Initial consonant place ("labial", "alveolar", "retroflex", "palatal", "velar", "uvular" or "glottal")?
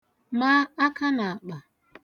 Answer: labial